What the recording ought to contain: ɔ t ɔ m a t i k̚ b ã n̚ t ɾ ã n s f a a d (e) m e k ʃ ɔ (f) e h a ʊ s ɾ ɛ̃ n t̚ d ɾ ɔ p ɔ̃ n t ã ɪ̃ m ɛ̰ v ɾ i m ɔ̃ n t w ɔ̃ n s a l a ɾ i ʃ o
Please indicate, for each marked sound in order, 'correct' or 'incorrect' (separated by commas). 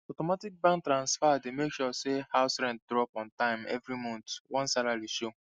correct, incorrect